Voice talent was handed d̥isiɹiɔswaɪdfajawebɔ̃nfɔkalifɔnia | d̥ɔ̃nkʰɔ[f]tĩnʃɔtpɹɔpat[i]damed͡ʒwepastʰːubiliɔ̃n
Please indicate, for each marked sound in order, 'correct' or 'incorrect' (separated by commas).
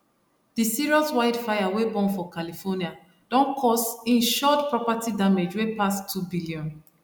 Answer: incorrect, correct